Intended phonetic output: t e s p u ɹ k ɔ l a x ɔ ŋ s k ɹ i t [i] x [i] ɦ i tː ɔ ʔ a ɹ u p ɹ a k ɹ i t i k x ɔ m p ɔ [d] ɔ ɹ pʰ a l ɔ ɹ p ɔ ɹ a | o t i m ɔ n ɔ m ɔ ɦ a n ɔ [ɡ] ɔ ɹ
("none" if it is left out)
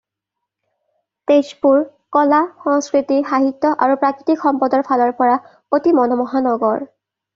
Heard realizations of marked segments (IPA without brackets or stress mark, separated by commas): i, a, d, ɡ